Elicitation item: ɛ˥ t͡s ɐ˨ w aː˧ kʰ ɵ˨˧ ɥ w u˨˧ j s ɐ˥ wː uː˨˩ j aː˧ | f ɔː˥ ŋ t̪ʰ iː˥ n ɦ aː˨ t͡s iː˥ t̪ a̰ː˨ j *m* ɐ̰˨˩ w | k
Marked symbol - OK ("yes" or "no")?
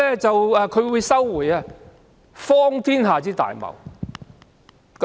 yes